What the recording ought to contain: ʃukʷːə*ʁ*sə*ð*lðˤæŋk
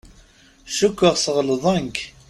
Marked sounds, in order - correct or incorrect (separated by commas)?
correct, incorrect